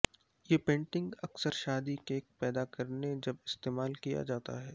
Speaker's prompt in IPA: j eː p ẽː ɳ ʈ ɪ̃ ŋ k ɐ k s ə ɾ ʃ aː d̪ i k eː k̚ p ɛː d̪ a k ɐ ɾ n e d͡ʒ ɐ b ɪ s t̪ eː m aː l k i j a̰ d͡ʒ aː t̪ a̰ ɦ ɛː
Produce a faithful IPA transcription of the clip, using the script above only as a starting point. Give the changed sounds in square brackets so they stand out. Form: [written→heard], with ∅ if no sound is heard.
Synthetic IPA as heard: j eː p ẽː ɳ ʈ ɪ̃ ŋ [k→ɡ] ɐ k s ə ɾ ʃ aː d̪ i k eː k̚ p ɛː d̪ a k ɐ ɾ n e d͡ʒ ɐ b ɪ s t̪ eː m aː l k i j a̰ d͡ʒ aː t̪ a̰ ɦ ɛː